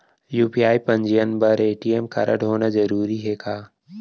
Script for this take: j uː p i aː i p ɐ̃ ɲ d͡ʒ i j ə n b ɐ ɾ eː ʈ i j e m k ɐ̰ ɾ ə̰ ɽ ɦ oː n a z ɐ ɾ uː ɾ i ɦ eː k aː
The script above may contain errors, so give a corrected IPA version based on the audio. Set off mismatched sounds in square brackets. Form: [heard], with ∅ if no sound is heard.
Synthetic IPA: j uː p i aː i p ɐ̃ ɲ d͡ʒ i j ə n b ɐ ɾ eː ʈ i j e m k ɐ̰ ɾ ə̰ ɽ ɦ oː n a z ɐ ɾ uː ɾ i ɦ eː k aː